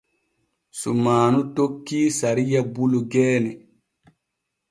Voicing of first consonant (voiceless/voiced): voiceless